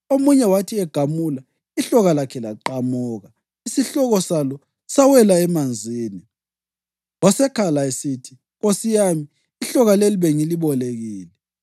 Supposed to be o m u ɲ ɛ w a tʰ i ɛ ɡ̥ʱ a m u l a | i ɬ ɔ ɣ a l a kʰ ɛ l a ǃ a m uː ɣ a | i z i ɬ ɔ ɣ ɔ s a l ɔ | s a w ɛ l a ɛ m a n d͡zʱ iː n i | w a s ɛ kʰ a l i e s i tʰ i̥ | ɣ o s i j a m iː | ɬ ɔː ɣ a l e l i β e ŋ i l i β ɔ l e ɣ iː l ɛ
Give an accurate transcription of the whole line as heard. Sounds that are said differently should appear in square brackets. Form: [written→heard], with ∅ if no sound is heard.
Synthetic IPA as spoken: o m u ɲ ɛ w a tʰ i ɛ ɡ̥ʱ a m u l a | i ɬ ɔ ɣ a l a kʰ ɛ l a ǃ a m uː ɣ a | i [z→s] i ɬ ɔ ɣ ɔ s a l ɔ | s a w ɛ l a ɛ m a n d͡zʱ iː n i | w a s ɛ kʰ a l [i→a] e s i tʰ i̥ | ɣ o s i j a m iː | ɬ [ɔː→ɔ] ɣ a l e l i β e ŋ i l i β ɔ l e ɣ iː l ɛ